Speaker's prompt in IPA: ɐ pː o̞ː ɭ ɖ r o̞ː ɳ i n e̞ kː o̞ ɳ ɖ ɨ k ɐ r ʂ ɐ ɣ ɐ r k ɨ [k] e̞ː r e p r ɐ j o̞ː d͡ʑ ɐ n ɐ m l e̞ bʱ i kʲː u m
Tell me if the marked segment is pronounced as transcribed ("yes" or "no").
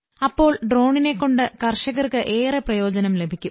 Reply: no